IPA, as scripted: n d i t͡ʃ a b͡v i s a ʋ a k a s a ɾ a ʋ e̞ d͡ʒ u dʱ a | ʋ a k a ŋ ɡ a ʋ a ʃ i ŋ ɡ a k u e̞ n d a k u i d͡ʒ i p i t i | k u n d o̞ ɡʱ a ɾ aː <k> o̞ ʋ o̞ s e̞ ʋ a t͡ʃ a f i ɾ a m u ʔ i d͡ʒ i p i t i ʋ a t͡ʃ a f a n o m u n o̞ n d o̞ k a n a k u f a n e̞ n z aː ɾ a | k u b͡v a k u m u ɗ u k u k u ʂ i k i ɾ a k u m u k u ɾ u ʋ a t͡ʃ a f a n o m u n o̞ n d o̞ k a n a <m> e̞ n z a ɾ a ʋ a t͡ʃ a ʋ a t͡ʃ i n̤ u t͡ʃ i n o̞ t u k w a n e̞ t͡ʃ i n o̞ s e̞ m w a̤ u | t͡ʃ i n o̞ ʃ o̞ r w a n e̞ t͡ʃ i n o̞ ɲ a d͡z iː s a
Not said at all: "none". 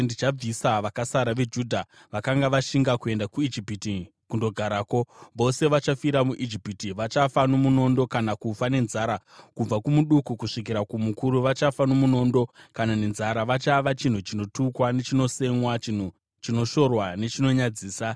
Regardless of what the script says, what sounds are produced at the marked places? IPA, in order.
k, n

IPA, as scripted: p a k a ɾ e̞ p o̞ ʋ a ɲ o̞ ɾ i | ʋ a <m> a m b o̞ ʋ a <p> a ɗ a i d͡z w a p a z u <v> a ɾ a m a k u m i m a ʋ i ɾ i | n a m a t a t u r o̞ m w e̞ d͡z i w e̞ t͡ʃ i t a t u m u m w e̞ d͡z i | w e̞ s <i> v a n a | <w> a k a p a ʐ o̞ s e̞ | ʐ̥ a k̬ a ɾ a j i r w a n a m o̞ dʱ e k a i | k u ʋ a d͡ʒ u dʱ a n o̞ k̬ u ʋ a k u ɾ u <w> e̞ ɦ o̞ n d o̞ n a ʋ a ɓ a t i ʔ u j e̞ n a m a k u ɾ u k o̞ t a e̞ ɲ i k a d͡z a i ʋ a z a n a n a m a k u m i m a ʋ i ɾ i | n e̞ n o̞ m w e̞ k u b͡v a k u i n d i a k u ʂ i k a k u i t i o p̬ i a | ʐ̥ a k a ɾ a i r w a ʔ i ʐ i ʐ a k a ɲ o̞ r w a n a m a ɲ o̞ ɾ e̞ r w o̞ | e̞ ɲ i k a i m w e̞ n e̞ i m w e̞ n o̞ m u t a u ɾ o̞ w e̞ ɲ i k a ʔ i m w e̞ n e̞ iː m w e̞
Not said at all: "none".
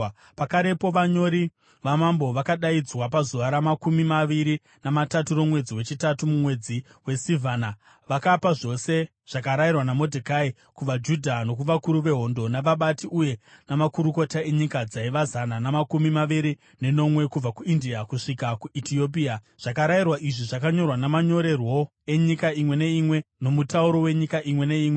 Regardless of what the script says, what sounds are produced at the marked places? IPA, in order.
m, k, ʋ, i, ʋ, ʋ

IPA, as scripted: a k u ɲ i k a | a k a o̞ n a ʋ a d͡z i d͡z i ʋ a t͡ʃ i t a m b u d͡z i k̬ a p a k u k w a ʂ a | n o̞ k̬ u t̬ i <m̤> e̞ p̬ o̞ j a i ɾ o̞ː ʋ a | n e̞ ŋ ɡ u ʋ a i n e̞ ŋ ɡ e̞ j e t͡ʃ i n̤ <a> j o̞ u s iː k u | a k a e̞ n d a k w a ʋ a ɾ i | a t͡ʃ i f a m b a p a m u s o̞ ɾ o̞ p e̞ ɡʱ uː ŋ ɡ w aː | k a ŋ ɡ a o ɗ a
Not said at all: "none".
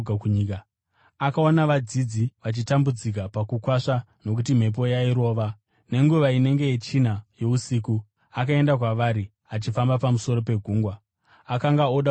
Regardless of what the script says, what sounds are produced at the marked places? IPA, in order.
m̤, a

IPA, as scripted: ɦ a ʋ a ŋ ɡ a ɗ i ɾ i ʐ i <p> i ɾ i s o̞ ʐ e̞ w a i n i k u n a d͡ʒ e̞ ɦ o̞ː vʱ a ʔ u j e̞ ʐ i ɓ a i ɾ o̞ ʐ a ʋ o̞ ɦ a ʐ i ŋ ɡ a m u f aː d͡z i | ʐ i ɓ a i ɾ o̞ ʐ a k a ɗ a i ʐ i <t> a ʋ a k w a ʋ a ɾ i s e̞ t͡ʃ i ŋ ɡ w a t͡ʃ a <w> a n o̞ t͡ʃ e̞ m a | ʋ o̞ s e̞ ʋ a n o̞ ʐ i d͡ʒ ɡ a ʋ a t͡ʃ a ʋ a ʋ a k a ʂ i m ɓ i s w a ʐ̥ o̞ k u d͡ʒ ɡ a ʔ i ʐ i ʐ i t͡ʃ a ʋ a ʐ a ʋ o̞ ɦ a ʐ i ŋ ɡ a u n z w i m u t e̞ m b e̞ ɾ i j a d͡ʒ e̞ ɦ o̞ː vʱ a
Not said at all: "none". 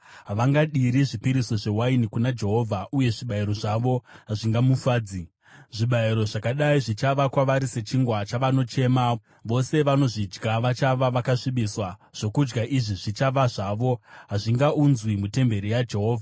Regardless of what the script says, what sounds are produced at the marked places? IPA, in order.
p, t͡ʃ, ʋ

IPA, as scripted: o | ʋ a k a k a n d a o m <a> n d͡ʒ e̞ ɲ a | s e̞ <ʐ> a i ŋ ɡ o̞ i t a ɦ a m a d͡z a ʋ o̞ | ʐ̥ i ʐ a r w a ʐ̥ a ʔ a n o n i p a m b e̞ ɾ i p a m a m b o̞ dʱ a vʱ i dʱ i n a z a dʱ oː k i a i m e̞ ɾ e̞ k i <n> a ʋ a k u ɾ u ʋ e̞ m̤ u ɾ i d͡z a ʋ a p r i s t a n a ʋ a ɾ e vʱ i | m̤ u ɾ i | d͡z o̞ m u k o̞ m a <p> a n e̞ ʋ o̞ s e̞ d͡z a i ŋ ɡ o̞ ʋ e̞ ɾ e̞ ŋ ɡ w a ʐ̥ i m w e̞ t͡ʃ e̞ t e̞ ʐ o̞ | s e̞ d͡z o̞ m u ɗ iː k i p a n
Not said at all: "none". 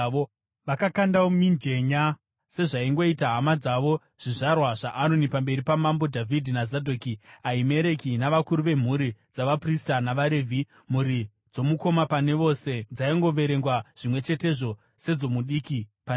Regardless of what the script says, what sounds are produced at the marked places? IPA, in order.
i, ʐ, n, p

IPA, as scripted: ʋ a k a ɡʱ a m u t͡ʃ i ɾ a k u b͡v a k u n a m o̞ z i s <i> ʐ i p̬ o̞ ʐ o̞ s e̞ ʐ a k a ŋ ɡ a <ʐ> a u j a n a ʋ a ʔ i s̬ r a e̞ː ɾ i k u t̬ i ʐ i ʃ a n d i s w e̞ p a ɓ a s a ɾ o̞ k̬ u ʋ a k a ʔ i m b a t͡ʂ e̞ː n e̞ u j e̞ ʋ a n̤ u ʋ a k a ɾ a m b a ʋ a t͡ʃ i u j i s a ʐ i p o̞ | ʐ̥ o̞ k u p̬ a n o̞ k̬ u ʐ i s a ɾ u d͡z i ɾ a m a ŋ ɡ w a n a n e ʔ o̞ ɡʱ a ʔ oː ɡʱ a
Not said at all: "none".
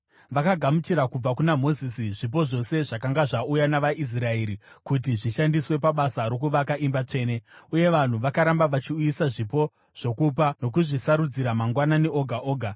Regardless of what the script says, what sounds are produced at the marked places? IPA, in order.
i, ʐ

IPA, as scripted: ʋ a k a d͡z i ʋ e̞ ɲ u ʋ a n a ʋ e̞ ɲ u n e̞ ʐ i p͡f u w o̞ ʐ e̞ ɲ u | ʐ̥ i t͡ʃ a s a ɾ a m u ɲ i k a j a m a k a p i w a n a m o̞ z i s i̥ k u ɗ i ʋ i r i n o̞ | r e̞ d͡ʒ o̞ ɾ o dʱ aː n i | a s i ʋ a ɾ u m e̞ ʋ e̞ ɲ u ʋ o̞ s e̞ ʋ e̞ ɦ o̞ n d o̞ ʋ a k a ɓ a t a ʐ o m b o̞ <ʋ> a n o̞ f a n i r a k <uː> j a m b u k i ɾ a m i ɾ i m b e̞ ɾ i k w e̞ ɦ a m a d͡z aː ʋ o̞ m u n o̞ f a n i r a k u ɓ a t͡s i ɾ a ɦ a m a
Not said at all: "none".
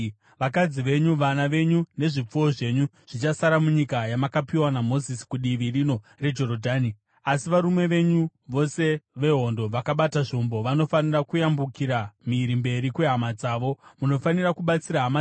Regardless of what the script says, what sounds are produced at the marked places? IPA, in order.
ʋ, u

